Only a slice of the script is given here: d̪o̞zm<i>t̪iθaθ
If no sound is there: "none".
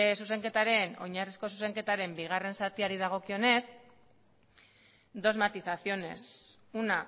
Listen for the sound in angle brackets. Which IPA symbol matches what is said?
a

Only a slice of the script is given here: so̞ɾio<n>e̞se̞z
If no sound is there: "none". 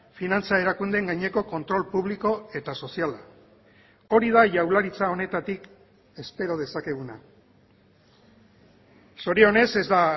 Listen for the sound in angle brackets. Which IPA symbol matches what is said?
n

